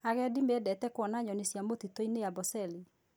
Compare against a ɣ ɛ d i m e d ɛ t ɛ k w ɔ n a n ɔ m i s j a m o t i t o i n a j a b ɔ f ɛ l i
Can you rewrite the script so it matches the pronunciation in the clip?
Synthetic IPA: a ɣ ɛ d i m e d ɛ t ɛ k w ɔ n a ɲ ɔ n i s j a m o t i t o i n e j a b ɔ s ɛ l i